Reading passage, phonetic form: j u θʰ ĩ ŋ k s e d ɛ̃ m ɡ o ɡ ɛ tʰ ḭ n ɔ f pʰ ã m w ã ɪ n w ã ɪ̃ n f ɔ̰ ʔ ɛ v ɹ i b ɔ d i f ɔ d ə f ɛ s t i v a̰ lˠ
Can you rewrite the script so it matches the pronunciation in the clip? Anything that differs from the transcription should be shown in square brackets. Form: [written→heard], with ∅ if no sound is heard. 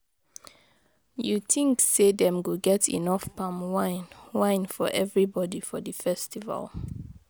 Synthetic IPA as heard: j u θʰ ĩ ŋ k s e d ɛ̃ m ɡ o ɡ ɛ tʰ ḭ n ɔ f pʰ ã m w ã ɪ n w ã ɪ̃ n f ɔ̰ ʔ ɛ v ɹ i b ɔ d i f ɔ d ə f ɛ s t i v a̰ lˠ